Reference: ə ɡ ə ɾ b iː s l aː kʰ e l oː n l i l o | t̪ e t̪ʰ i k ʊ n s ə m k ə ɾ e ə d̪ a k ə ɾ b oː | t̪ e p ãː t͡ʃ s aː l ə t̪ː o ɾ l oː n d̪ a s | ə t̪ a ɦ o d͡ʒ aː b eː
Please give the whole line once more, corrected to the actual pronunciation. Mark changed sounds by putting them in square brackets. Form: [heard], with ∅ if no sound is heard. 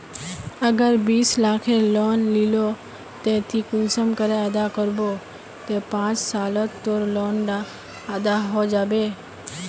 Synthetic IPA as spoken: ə ɡ ə ɾ b iː s l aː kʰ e l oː n l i l o | t̪ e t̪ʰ i k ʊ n s ə m k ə ɾ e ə d̪ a k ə ɾ b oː | t̪ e p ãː t͡ʃ s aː l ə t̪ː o ɾ l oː n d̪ a [∅] | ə [d̪] a ɦ o d͡ʒ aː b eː

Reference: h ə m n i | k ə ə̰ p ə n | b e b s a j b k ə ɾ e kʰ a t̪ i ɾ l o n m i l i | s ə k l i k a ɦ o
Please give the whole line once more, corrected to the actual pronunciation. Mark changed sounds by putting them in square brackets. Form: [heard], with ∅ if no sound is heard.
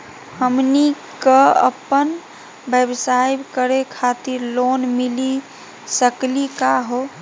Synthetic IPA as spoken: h ə m n i | k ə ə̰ p ə n | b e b s a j b k ə ɾ e kʰ a t̪ i ɾ l o n m i l i | s ə k l i k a ɦ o

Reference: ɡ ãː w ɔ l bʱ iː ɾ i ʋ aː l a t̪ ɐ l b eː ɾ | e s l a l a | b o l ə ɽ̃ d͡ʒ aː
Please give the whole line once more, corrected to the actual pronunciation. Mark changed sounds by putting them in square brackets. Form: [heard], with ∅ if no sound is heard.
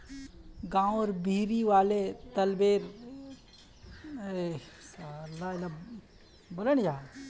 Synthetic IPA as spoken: ɡ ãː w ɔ [ɾ] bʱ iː ɾ i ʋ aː l [e] t̪ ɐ l b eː ɾ | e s l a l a | b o l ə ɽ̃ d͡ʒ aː

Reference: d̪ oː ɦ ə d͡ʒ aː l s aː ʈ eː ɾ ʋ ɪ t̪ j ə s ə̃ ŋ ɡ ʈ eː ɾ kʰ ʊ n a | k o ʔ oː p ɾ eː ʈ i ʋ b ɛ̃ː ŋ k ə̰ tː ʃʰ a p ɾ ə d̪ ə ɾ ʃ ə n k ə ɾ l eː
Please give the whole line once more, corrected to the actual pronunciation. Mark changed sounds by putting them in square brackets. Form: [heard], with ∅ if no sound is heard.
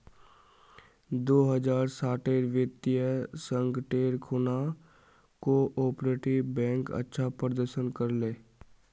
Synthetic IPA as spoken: d̪ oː ɦ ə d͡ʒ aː [ɾ] s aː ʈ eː ɾ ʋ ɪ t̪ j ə s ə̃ ŋ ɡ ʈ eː ɾ kʰ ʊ n a | k o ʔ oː p ɾ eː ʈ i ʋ b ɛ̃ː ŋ k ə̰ tː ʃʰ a p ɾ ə d̪ ə ɾ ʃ ə n k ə ɾ l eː

